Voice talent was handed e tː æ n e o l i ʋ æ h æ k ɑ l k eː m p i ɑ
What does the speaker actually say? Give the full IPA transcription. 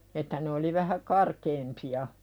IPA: e tː æ n e o l i ʋ æ h æ k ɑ r k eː m p i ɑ